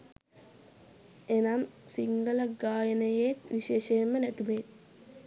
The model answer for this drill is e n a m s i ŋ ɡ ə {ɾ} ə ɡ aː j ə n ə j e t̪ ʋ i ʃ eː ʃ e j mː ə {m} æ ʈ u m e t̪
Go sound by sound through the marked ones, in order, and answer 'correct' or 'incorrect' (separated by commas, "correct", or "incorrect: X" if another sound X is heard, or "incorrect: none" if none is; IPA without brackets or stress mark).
incorrect: l, incorrect: n